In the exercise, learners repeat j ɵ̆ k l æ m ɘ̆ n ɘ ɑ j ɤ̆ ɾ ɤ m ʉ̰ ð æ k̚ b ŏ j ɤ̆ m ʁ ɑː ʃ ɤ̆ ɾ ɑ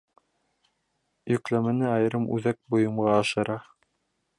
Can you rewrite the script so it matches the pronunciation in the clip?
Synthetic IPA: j ɵ̆ k l æ m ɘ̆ n ɘ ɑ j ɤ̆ ɾ ɤ m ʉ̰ ð æ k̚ b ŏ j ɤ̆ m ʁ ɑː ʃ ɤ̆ ɾ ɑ